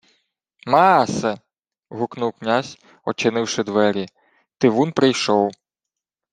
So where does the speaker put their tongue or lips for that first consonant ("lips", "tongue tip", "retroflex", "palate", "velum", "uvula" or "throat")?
lips